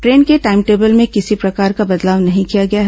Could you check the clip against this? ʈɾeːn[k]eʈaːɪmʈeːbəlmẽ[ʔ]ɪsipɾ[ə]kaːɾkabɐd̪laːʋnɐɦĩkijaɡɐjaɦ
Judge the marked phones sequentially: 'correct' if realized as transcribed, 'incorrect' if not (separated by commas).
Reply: correct, incorrect, incorrect